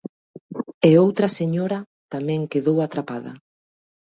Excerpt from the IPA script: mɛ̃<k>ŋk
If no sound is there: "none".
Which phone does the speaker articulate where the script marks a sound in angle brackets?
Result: none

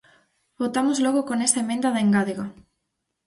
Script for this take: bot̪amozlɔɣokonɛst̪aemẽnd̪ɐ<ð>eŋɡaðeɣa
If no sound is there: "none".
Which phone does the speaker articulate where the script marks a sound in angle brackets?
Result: ð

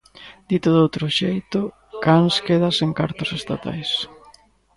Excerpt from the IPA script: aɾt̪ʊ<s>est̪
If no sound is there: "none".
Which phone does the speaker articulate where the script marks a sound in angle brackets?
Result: s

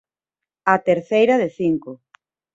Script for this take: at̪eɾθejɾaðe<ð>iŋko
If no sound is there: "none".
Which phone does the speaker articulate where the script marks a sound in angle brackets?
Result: θ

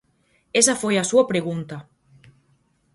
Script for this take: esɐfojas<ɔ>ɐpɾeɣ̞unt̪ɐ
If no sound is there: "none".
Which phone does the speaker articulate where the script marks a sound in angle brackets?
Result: u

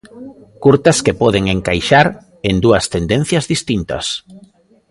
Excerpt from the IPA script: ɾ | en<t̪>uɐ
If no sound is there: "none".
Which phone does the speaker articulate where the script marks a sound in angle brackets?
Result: d̪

